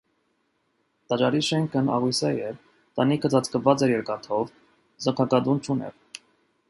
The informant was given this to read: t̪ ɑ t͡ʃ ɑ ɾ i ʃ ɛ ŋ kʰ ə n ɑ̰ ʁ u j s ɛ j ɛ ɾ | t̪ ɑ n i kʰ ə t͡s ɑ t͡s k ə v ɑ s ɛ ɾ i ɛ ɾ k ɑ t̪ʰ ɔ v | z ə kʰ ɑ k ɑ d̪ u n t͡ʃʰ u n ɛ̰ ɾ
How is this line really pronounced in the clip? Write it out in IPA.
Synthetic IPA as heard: t̪ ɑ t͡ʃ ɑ ɾ i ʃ ɛ ŋ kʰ ə n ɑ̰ ʁ u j s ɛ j ɛ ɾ | t̪ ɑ n i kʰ ə t͡s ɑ t͡s k ə v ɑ t͡s ɛ ɾ j ɛ ɾ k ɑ t̪ʰ ɔ v | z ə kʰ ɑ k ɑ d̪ u n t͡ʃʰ u n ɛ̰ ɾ